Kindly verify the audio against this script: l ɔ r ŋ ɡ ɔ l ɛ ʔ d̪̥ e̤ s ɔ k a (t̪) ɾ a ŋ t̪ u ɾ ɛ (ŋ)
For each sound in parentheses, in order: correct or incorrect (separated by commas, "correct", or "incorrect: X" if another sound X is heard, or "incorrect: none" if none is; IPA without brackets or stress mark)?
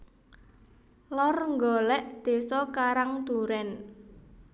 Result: incorrect: none, incorrect: n